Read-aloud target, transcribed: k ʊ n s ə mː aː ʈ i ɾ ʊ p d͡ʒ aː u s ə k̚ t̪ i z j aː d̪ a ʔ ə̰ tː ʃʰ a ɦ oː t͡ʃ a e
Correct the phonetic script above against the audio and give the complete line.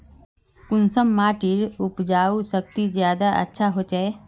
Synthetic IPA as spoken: k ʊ n s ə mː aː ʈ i ɾ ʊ p d͡ʒ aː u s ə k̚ t̪ i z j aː d̪ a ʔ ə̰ tː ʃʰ a ɦ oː t͡ʃ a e